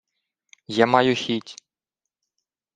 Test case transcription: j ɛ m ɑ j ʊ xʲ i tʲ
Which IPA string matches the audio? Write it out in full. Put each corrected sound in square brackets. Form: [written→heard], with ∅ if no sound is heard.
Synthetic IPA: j [ɛ→a] m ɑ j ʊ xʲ i tʲ

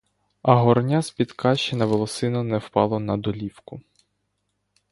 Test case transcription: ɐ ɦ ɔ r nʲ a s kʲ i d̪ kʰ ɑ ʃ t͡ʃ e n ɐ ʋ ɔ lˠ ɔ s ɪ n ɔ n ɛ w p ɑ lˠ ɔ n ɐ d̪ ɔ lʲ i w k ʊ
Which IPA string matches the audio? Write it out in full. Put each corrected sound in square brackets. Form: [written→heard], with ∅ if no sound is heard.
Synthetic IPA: ɐ ɦ ɔ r nʲ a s [kʲ→pʲ] i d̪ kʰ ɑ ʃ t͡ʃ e n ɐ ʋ ɔ lˠ ɔ s ɪ n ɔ n ɛ w p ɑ lˠ ɔ n ɐ d̪ ɔ lʲ i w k ʊ

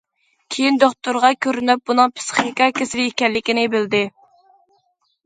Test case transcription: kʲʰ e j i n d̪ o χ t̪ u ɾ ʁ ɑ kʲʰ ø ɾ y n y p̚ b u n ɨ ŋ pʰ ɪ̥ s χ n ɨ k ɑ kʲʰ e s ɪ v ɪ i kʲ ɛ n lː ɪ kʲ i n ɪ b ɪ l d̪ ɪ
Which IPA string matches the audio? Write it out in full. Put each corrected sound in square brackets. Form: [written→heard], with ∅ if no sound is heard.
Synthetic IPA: kʲʰ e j i n d̪ o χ t̪ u ɾ ʁ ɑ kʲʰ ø ɾ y n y p̚ b u n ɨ ŋ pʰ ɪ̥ s χ n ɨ k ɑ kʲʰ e s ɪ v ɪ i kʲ ɛ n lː ɪ kʲ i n ɪ b ɪ l d̪ ɪ

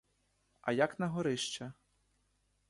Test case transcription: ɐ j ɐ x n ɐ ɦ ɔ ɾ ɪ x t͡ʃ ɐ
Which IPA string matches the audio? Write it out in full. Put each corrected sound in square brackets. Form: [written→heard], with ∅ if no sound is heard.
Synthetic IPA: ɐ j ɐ [x→k] n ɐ ɦ ɔ ɾ ɪ [x→ʃ] t͡ʃ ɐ

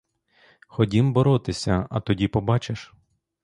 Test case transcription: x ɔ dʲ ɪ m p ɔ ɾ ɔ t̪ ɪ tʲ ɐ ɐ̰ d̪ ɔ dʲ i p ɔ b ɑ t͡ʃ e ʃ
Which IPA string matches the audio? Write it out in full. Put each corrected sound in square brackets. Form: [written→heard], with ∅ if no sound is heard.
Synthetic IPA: x ɔ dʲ [ɪ→i] m [p→b] ɔ ɾ ɔ t̪ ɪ [tʲ→sʲ] ɐ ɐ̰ [d̪→t̪] ɔ dʲ i p ɔ b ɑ t͡ʃ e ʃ

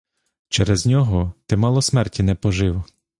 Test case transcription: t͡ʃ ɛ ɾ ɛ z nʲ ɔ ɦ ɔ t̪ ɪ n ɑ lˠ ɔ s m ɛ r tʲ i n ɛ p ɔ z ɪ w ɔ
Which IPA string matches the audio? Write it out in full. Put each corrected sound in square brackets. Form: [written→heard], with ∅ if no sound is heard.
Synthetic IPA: t͡ʃ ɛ ɾ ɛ z nʲ ɔ ɦ ɔ t̪ ɪ [n→m] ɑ lˠ ɔ s m ɛ r tʲ i n ɛ p ɔ [z→ʒ] ɪ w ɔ

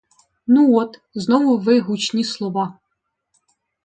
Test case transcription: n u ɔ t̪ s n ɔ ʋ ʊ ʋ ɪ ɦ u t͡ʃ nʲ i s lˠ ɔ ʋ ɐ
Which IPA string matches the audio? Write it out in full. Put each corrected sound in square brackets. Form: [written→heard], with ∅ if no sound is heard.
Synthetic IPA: n u ɔ t̪ [s→z] n ɔ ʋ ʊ ʋ ɪ ɦ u t͡ʃ nʲ i s lˠ ɔ ʋ [ɐ→ɑ]

